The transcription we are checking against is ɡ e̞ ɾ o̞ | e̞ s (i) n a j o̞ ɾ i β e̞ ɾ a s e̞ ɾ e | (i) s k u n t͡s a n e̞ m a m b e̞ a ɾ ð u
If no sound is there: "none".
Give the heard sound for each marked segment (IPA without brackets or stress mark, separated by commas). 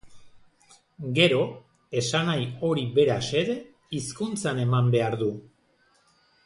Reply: a, i